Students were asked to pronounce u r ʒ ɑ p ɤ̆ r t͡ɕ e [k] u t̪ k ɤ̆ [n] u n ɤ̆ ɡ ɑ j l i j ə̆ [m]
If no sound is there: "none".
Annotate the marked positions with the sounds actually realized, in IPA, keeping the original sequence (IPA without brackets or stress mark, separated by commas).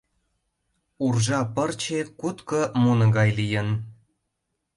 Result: k, m, n